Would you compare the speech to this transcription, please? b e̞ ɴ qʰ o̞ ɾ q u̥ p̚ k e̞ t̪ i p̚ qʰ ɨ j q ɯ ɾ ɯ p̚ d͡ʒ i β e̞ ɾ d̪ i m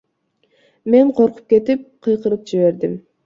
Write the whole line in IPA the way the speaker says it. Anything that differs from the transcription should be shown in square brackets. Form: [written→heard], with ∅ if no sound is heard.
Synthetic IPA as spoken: [b→m] e̞ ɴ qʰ o̞ ɾ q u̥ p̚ k e̞ t̪ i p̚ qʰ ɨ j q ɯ ɾ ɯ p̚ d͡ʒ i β e̞ ɾ d̪ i m